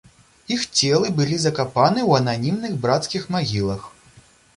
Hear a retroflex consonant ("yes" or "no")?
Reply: no